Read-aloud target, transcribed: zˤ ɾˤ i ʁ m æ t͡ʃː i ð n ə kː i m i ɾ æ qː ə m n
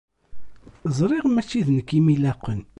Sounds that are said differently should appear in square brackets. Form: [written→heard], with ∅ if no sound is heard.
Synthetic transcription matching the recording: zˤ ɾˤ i ʁ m æ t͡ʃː i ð n ə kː i m i [ɾ→l] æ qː ə [m→∅] n